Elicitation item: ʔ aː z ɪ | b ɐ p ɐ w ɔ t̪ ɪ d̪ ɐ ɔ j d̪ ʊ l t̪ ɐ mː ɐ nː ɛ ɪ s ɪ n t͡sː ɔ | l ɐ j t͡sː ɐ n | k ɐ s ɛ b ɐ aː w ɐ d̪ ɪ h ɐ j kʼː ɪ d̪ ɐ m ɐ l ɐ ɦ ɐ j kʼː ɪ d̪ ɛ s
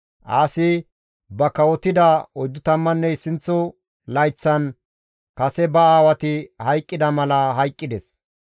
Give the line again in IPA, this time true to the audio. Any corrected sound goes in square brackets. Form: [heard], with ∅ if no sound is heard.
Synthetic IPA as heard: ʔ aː [s] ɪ | b ɐ [k] ɐ w ɔ t̪ ɪ d̪ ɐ ɔ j d̪ ʊ [∅] t̪ ɐ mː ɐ nː ɛ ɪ s ɪ n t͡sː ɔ | l ɐ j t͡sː ɐ n | k ɐ s ɛ b ɐ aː w ɐ [t̪] ɪ h ɐ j kʼː ɪ d̪ ɐ m ɐ l ɐ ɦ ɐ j kʼː ɪ d̪ ɛ s